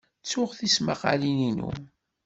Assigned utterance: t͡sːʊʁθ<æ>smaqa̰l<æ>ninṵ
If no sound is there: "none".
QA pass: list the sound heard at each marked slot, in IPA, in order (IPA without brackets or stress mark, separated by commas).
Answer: i, i